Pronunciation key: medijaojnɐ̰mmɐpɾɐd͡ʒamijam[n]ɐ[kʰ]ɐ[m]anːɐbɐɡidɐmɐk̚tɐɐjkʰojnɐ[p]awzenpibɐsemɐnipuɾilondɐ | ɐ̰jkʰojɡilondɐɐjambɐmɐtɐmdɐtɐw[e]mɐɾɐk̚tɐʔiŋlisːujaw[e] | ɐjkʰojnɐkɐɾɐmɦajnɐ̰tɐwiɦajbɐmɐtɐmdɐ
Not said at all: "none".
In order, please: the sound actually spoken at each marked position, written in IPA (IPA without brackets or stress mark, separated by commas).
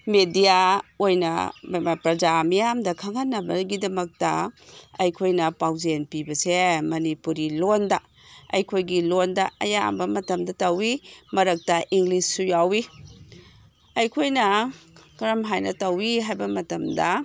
d, kʰ, ŋ, p, i, i